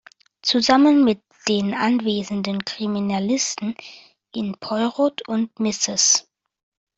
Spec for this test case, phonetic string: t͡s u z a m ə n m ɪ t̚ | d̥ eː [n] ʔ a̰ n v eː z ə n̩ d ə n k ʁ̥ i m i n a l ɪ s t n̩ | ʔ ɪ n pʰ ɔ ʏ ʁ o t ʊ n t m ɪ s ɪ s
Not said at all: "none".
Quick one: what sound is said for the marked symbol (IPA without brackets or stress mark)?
n